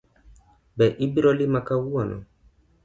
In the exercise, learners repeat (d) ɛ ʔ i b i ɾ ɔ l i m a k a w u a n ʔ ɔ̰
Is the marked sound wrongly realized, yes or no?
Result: yes